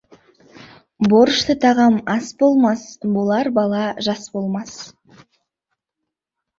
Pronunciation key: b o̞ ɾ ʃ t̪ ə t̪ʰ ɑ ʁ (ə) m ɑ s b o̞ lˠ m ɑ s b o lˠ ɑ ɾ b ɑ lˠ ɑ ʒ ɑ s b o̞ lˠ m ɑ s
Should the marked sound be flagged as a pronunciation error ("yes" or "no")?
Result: yes